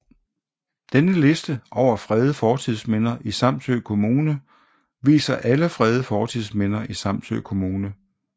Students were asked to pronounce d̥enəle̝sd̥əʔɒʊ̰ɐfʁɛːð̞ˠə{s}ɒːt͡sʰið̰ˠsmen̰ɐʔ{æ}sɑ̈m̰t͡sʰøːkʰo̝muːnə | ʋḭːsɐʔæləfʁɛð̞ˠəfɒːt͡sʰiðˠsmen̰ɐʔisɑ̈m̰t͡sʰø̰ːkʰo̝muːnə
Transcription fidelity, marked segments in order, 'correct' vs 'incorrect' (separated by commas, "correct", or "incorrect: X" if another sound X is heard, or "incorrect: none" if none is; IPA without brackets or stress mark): incorrect: f, incorrect: i